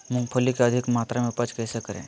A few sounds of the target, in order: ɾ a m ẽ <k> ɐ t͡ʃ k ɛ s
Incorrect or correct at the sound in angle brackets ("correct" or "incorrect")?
incorrect